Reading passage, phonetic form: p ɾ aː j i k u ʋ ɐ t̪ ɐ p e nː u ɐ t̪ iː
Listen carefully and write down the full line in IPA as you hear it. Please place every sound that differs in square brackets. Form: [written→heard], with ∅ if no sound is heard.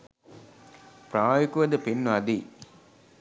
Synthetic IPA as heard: p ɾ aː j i k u ʋ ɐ [t̪→d̪] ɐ p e nː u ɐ [t̪→d̪] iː